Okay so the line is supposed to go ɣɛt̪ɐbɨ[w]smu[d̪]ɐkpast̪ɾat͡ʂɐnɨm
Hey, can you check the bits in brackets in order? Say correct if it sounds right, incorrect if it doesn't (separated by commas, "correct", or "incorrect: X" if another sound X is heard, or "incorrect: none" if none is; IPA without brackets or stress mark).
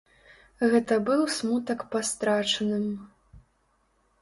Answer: correct, incorrect: t̪